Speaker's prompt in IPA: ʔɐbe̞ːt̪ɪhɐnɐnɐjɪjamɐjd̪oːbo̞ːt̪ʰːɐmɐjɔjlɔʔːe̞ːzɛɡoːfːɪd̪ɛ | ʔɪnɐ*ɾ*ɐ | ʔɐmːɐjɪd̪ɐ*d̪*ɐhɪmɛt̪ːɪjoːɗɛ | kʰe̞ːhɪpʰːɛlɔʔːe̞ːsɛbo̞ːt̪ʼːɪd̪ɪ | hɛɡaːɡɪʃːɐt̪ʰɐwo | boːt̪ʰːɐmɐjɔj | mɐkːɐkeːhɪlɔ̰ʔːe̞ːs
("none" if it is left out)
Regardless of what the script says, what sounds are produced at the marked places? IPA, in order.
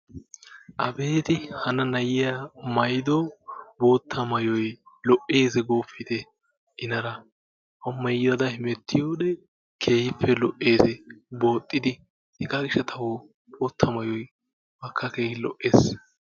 ɾ, d̪

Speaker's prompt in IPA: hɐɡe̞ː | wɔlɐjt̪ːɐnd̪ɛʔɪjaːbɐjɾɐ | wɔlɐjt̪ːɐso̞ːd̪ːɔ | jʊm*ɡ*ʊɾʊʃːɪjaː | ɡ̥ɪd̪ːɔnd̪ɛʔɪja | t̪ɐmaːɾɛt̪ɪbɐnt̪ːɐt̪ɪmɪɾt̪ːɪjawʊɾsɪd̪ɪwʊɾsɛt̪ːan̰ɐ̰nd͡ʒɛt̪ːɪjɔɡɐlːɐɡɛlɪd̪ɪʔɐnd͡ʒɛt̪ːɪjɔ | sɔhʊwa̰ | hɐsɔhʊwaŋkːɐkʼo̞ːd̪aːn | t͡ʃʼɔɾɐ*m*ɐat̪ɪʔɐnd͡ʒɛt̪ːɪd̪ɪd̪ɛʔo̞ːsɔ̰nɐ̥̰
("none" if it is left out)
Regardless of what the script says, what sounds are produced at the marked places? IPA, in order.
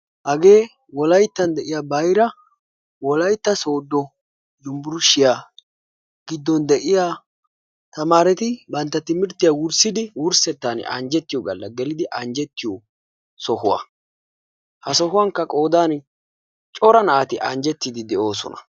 b, n

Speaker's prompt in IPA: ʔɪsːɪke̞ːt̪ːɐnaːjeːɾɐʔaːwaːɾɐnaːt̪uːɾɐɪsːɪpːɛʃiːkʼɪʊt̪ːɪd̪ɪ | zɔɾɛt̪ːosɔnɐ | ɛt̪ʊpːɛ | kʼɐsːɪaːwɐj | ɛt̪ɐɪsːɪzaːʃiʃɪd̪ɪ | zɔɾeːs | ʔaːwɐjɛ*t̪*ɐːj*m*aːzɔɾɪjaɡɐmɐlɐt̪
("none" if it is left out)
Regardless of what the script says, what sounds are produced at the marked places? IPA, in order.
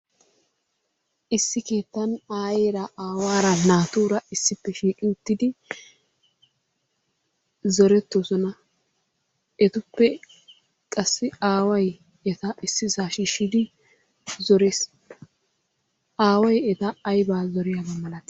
t̪, b

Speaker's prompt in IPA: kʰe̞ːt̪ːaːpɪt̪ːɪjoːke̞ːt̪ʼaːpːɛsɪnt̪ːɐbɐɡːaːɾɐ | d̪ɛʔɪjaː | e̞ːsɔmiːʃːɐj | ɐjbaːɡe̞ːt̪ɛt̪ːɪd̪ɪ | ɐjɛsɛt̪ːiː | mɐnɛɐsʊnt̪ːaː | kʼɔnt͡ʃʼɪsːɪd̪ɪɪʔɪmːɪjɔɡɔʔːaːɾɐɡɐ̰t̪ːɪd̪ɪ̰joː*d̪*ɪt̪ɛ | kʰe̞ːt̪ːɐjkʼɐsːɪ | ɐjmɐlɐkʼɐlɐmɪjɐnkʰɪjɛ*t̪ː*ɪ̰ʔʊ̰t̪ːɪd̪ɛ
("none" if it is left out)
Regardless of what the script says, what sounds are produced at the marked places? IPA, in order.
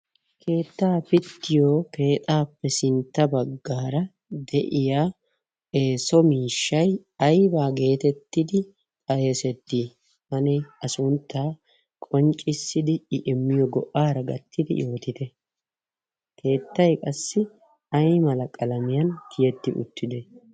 t̪, t̪ː

